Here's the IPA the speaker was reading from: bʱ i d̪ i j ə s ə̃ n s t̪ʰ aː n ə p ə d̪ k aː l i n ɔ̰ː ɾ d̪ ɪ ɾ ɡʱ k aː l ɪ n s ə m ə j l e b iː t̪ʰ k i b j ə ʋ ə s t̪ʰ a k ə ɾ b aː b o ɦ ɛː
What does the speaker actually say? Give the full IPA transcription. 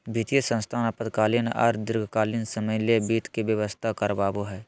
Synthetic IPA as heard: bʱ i t̪ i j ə s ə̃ n s t̪ʰ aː n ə p ə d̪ k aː l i n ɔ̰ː ɾ d̪ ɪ ɾ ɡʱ k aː l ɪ n s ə m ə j l e b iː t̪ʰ k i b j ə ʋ ə s t̪ʰ a k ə ɾ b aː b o ɦ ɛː